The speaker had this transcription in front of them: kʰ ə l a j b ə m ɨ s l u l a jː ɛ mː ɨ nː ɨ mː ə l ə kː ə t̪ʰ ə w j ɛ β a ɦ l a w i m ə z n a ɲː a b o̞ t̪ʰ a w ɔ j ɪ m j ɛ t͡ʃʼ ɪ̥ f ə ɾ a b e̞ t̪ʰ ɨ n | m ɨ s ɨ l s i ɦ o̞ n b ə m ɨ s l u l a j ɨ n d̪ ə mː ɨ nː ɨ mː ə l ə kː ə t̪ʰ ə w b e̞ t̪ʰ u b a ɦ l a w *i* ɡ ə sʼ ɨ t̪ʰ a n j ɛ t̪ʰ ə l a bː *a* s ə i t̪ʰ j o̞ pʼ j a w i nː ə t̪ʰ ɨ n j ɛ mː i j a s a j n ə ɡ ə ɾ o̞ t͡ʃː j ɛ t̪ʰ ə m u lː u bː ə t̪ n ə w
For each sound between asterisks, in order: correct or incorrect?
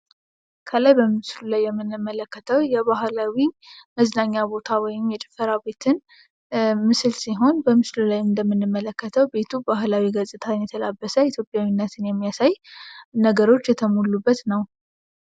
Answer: correct, incorrect: ə

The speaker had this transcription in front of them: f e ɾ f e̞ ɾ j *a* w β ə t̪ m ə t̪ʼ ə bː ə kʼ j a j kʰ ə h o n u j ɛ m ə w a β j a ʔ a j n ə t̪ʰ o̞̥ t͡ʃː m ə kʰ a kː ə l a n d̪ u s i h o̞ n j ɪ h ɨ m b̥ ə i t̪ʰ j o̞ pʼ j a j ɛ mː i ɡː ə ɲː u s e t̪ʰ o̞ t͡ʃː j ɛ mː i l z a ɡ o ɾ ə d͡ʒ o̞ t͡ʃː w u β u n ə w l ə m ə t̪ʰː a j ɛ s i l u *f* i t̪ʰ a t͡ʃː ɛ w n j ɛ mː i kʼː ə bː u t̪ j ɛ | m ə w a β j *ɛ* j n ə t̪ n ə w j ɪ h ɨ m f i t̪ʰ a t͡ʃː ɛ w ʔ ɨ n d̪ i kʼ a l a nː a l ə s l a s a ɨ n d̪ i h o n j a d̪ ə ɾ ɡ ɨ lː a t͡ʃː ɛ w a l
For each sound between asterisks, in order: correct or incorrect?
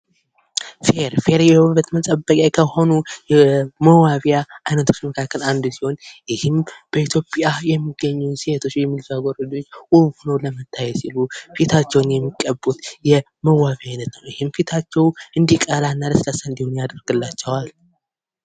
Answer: incorrect: ɛ, correct, incorrect: a

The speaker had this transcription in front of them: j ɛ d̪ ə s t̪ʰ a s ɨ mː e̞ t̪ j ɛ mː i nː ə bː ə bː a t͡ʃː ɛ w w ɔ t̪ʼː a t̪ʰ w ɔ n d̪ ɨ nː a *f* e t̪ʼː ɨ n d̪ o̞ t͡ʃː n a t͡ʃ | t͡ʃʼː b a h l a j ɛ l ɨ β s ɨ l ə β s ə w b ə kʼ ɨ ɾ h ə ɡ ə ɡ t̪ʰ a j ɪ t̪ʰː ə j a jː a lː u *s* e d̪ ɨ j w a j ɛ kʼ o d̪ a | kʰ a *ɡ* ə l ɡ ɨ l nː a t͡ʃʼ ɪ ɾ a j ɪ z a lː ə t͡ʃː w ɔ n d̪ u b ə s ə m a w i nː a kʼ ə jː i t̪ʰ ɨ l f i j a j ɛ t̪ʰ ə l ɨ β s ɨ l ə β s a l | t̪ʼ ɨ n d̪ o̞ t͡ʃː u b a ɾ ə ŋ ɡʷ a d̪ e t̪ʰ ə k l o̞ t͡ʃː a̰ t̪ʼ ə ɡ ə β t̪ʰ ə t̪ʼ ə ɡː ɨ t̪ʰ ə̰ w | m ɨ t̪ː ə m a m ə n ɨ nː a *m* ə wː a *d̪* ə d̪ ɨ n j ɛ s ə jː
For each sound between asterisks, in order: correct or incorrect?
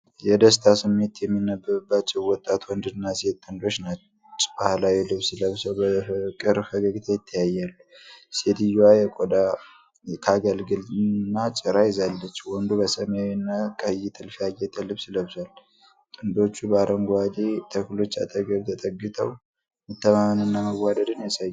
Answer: incorrect: s, correct, correct, correct, correct

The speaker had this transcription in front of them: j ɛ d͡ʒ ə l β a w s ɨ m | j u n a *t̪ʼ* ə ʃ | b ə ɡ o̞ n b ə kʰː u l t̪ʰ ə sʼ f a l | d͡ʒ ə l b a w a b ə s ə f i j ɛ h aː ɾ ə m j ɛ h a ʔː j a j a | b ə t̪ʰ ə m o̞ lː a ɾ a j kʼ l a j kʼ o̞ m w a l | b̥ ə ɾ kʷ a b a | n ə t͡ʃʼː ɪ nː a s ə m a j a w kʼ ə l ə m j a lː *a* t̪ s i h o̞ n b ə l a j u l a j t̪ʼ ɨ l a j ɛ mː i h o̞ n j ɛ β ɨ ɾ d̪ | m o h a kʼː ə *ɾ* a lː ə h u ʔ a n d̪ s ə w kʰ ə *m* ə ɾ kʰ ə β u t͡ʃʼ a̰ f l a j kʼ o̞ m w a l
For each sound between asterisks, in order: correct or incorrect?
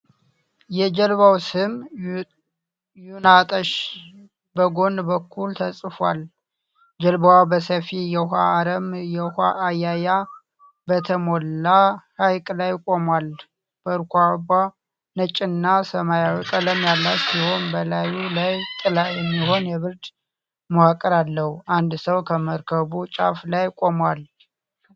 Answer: correct, correct, correct, correct

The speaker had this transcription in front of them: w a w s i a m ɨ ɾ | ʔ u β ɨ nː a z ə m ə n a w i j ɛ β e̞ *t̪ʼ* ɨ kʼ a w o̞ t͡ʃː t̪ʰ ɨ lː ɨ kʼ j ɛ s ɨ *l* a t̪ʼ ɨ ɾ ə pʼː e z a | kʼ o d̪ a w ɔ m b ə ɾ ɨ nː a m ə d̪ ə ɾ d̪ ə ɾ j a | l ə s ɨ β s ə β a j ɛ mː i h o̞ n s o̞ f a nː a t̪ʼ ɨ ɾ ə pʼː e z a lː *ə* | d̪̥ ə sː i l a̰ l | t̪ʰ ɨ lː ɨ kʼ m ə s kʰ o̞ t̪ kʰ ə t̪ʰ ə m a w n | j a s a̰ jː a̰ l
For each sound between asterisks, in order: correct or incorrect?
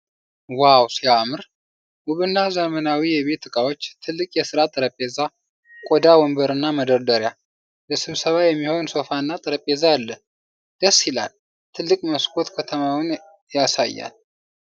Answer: incorrect: t̪, incorrect: ɾ, correct

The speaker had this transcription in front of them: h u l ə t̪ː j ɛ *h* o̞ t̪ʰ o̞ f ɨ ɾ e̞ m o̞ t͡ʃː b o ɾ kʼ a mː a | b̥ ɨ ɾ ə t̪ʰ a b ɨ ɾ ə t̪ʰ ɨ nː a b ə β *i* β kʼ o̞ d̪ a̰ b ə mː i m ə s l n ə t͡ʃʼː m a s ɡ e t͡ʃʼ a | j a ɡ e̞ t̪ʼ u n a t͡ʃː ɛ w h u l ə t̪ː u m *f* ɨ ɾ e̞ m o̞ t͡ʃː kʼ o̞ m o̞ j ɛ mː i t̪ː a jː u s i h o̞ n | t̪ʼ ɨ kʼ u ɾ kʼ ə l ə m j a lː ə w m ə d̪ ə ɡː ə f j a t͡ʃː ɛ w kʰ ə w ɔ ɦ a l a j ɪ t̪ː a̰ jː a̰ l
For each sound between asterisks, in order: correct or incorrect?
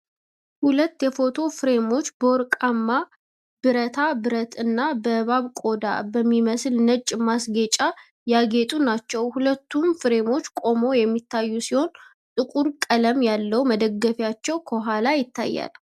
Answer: incorrect: f, incorrect: a, correct

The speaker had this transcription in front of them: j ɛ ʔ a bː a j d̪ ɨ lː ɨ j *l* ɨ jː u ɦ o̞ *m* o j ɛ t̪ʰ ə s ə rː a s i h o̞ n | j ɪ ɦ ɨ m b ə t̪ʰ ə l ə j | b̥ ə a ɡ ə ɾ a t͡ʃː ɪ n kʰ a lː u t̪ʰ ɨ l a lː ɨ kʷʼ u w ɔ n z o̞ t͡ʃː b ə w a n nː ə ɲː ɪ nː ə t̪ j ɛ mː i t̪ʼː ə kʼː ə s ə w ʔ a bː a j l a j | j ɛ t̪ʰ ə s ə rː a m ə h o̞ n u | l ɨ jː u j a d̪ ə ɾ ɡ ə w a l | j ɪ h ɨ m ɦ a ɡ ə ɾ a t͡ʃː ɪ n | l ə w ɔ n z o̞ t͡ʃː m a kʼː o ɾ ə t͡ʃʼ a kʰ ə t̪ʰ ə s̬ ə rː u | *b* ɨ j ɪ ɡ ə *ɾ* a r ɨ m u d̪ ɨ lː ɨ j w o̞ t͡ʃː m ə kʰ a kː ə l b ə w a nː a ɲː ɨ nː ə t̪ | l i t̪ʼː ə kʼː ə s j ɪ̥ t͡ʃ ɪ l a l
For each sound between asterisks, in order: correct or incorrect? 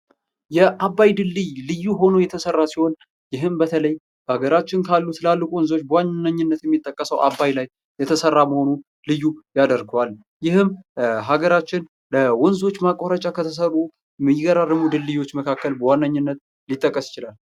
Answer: correct, incorrect: n, incorrect: m, correct

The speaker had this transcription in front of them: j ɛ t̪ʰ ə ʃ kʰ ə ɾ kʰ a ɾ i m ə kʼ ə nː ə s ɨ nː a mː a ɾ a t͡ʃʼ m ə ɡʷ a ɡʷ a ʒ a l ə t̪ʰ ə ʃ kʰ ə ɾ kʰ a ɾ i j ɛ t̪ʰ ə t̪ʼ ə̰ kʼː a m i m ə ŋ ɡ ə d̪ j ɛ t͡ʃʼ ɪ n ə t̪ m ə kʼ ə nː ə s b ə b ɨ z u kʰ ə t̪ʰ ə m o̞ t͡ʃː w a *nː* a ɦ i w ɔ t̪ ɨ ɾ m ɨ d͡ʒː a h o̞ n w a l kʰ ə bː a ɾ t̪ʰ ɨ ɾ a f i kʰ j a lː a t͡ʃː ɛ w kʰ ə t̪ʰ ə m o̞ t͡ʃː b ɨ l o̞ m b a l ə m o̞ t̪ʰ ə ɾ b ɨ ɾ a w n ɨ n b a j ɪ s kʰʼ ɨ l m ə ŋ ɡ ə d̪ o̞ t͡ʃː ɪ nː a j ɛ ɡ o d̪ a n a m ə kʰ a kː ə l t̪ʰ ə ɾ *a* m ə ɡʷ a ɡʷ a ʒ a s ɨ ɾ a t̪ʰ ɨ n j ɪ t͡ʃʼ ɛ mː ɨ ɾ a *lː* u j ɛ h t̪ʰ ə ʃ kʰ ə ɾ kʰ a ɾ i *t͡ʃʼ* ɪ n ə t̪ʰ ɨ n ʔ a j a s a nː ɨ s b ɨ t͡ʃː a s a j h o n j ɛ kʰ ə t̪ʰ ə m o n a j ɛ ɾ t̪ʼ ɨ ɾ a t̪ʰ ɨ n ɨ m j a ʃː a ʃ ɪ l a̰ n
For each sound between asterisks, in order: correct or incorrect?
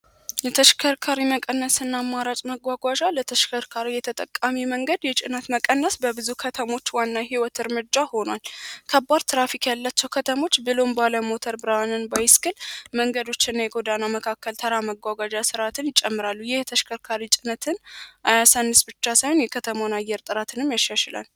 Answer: correct, correct, correct, correct

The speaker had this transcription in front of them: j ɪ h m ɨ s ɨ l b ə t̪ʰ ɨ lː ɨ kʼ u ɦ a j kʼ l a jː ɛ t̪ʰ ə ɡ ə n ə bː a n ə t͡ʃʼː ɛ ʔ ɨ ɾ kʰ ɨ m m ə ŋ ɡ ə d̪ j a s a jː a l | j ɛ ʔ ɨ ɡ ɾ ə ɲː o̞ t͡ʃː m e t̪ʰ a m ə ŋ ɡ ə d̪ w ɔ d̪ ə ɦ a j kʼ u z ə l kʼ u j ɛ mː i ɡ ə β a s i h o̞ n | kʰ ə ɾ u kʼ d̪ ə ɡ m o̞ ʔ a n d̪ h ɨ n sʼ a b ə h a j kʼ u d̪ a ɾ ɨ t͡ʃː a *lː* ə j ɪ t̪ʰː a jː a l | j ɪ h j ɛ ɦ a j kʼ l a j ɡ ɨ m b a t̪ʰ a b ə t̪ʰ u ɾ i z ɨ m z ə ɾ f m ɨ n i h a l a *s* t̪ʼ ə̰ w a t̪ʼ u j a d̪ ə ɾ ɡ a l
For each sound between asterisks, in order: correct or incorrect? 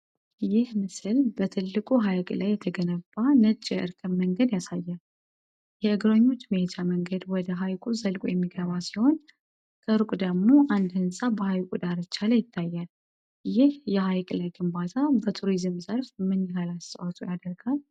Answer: incorrect: l, correct

